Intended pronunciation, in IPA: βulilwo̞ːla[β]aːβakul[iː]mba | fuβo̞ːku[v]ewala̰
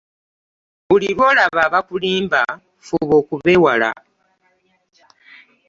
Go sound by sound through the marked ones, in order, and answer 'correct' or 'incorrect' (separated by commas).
correct, correct, incorrect